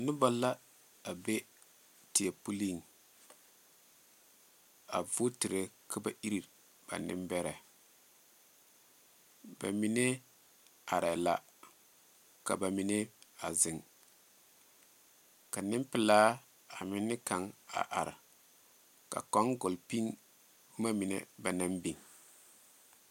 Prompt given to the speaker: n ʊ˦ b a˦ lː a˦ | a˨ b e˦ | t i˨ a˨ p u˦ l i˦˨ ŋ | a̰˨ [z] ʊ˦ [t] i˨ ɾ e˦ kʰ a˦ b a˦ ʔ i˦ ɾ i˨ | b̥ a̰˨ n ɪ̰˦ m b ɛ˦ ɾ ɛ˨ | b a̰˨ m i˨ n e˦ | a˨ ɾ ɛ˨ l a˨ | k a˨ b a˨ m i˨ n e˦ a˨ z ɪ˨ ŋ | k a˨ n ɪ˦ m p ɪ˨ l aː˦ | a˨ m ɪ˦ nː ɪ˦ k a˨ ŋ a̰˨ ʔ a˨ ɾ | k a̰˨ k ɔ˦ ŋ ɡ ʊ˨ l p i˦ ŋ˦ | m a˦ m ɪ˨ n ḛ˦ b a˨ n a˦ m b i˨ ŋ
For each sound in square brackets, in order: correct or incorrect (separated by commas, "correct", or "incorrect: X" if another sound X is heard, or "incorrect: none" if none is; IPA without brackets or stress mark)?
incorrect: v, correct